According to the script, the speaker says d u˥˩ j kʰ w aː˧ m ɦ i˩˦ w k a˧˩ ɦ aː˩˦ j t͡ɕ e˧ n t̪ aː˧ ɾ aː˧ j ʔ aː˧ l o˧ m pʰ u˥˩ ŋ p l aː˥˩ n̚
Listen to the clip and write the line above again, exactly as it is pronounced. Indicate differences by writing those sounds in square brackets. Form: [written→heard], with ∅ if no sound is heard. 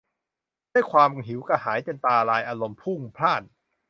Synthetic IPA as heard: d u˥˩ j kʰ w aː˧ m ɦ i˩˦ w k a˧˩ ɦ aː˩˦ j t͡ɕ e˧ n t̪ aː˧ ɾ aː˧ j ʔ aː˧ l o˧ m pʰ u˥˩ ŋ [p→pʰ] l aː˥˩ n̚

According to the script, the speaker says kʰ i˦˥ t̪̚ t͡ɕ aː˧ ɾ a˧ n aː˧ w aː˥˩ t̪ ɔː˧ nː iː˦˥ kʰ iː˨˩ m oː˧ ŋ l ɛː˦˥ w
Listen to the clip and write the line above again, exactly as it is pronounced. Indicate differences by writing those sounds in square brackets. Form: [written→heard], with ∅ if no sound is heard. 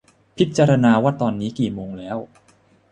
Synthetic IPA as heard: [kʰ→pʰ] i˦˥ t̪̚ t͡ɕ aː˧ ɾ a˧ n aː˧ w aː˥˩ t̪ ɔː˧ nː iː˦˥ [kʰ→k] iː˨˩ m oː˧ ŋ l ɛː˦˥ w

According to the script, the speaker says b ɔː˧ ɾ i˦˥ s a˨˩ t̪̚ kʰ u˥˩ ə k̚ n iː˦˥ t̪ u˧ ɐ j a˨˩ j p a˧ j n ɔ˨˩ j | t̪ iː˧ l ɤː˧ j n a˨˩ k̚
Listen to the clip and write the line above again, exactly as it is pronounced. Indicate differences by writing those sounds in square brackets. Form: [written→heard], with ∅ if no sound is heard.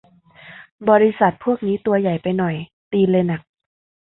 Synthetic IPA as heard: b ɔː˧ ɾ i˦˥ s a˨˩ t̪̚ [kʰ→pʰ] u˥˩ ə k̚ n iː˦˥ t̪ u˧ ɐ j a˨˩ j p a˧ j n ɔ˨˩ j | t̪ iː˧ l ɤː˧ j n a˨˩ k̚

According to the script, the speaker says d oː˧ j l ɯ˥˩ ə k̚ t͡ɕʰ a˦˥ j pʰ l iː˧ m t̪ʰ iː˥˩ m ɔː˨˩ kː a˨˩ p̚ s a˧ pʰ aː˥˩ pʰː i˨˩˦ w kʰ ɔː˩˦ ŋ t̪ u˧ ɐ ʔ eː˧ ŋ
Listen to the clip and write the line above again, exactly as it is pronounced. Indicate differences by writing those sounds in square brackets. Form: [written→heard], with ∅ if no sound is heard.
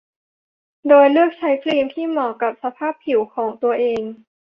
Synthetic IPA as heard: d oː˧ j l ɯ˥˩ ə k̚ t͡ɕʰ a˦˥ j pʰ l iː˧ m t̪ʰ iː˥˩ m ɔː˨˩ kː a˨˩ p̚ s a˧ pʰ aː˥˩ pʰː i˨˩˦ w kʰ ɔː˩˦ ŋ t̪ u˧ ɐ ʔ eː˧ ŋ

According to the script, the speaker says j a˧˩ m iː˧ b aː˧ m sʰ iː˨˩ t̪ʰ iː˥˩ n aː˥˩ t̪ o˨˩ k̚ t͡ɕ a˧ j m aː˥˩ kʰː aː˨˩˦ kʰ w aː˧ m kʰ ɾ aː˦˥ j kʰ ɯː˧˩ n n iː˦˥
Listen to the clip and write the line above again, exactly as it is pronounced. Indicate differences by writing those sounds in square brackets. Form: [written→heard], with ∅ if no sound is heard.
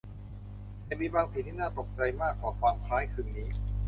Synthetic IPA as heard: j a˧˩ m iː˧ b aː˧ [m→ŋ] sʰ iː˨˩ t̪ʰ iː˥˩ n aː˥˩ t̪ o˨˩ k̚ t͡ɕ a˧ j m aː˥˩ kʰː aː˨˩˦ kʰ w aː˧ m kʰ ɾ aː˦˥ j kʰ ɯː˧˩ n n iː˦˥

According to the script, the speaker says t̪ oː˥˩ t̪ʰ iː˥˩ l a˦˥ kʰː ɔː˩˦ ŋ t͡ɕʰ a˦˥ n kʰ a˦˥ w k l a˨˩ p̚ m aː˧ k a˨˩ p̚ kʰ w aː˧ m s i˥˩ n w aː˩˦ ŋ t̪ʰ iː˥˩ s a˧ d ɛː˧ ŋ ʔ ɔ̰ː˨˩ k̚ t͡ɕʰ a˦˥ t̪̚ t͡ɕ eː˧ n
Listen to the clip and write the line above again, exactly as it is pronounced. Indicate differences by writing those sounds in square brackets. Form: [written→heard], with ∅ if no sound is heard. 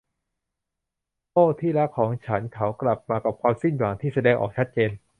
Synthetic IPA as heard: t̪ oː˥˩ t̪ʰ iː˥˩ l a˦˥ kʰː ɔː˩˦ ŋ t͡ɕʰ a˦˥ n kʰ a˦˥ w k l a˨˩ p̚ m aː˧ k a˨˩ p̚ kʰ w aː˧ m s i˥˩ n w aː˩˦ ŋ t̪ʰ iː˥˩ s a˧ d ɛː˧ ŋ ʔ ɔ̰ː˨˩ k̚ t͡ɕʰ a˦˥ t̪̚ t͡ɕ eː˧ n

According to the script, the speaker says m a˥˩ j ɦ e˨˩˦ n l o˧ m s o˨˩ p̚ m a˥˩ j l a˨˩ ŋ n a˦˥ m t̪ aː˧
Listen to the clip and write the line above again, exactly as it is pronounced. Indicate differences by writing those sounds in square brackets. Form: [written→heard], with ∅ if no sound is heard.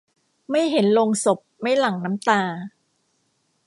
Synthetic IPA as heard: m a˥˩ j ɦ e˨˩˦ n l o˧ [m→ŋ] s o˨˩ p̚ m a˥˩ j l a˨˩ ŋ n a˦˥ m t̪ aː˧

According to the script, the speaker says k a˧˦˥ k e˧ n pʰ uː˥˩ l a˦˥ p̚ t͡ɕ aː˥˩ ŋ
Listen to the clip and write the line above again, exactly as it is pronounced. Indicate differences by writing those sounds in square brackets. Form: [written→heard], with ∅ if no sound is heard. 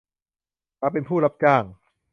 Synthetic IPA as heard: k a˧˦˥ [k→p] e˧ n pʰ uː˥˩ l a˦˥ p̚ t͡ɕ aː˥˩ ŋ

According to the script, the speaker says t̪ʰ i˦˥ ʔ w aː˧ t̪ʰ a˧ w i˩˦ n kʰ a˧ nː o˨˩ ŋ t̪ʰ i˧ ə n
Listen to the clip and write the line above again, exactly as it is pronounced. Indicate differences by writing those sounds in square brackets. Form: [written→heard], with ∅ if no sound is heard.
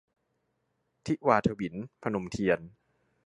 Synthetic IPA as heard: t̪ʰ i˦˥ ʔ w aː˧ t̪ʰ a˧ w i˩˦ n [kʰ→pʰ] a˧ [nː→n] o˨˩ [ŋ→m] t̪ʰ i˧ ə n

